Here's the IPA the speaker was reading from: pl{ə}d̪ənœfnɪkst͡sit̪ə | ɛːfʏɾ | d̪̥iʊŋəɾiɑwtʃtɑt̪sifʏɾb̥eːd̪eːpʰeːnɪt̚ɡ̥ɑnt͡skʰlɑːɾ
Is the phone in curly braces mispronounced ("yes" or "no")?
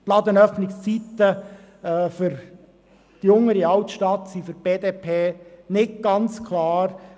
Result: yes